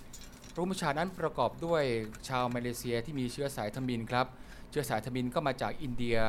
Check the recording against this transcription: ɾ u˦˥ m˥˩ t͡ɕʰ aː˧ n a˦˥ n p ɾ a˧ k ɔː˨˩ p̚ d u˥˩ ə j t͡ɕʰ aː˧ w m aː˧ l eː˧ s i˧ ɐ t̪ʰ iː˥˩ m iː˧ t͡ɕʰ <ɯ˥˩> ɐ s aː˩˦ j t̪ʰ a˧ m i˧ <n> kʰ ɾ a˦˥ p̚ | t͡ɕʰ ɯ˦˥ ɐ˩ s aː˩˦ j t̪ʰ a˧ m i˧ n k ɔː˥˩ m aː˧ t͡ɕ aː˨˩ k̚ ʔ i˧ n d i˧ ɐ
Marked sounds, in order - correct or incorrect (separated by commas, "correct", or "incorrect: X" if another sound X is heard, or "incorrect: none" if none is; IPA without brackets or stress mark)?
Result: incorrect: ɯ˦˥, correct